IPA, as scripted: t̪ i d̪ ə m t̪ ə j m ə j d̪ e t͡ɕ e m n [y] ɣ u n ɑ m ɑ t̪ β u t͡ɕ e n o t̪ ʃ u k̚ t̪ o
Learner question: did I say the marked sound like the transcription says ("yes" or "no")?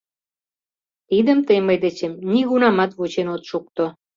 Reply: no